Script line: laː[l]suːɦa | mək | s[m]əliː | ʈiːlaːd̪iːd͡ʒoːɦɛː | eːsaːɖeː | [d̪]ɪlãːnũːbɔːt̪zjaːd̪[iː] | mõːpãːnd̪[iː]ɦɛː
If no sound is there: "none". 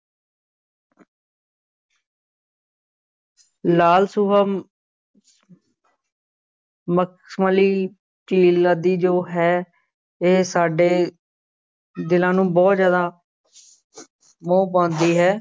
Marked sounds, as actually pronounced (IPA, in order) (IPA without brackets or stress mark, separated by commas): l, m, d̪, aː, iː